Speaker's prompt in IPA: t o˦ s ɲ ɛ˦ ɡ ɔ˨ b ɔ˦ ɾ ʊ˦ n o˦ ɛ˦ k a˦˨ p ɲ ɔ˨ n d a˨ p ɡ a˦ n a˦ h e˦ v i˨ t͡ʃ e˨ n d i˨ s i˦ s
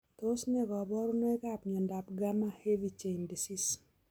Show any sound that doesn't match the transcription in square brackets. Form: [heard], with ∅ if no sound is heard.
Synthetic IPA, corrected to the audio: t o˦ s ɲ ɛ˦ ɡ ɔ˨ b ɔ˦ ɾ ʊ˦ n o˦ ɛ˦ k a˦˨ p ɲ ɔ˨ n d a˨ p ɡ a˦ [m] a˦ h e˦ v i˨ t͡ʃ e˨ n d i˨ s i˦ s